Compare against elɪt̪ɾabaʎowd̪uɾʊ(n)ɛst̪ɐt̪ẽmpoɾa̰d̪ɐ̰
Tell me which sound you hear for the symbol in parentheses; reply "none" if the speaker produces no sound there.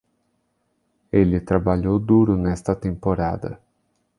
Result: n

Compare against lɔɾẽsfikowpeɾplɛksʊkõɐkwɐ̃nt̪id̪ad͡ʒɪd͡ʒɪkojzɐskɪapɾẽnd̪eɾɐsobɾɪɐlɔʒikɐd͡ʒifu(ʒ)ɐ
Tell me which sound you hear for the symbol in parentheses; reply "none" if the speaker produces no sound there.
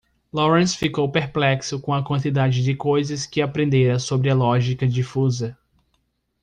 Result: z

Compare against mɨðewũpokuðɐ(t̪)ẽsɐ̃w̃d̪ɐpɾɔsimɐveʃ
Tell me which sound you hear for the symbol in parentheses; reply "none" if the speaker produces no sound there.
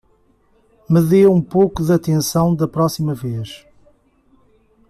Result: t̪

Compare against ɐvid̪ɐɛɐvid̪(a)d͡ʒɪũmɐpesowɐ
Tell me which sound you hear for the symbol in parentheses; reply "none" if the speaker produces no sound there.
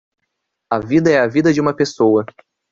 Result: ɐ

